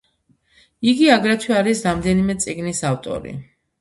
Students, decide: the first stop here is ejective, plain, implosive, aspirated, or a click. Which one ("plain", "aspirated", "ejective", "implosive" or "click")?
plain